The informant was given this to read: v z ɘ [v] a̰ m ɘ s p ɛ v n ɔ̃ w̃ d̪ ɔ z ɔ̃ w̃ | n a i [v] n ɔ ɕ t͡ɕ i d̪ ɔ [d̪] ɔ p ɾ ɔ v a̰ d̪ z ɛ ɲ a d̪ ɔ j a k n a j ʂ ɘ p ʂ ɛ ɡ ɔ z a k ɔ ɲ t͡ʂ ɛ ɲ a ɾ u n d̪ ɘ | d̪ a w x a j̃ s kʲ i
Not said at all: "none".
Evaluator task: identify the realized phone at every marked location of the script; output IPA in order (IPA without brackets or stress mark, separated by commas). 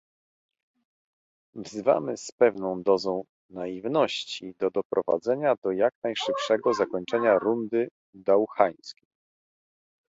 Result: v, v, d̪